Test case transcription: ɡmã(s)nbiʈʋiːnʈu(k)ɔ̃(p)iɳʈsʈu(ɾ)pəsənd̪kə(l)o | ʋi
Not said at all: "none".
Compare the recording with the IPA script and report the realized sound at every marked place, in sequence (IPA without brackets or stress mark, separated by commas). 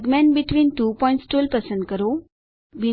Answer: none, p, none, l, ɾ